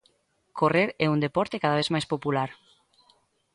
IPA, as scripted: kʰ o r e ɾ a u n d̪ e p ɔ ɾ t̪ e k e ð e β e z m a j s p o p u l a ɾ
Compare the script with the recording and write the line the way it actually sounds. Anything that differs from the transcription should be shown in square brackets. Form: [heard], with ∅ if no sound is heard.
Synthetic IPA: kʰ o r e ɾ [ɛ] u n d̪ e p ɔ ɾ t̪ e k [a] ð [a] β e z m a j s p o p u l a ɾ